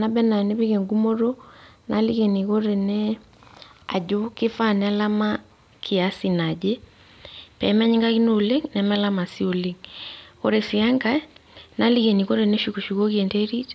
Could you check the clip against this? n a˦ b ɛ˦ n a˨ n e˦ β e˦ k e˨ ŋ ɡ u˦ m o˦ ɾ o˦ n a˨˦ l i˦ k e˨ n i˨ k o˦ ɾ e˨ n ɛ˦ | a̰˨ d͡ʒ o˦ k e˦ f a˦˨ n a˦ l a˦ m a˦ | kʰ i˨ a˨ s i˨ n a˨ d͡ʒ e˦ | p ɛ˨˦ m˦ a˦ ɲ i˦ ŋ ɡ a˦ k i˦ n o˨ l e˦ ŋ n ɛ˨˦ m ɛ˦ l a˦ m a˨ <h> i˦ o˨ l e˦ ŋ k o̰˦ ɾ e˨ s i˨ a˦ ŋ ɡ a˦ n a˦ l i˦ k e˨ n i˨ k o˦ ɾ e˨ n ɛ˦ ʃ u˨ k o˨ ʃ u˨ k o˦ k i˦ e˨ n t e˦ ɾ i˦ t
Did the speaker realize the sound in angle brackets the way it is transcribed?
no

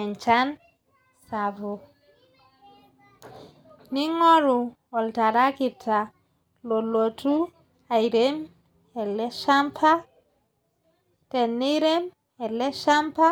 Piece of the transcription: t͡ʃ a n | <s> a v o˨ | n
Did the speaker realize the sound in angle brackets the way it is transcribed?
yes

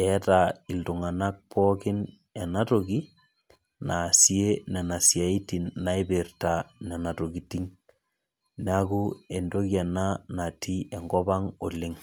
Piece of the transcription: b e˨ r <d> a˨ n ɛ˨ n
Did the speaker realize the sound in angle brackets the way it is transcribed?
no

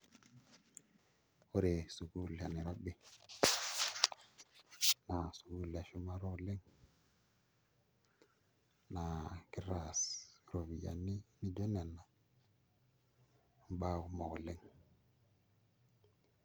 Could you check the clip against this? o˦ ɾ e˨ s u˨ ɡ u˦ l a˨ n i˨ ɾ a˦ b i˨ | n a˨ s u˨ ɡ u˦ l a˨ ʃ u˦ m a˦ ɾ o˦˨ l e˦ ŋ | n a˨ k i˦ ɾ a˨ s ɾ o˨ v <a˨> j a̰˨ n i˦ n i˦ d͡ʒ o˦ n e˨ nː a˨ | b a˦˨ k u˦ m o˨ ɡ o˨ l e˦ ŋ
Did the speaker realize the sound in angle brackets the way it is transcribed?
no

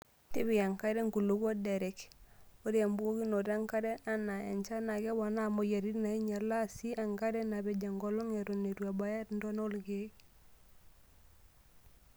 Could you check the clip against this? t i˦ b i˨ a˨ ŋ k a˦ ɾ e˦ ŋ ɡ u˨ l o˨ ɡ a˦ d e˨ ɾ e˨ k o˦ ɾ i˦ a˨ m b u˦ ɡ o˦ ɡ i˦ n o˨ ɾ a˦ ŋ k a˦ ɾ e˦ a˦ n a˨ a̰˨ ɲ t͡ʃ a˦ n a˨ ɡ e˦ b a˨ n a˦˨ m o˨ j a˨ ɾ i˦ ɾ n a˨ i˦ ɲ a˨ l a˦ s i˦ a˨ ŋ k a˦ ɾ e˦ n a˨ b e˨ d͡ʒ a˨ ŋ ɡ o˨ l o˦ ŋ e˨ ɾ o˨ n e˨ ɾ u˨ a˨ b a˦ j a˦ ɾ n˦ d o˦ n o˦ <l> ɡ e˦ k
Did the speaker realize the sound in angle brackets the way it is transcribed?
yes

